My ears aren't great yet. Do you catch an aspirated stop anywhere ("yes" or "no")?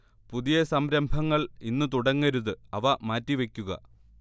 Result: no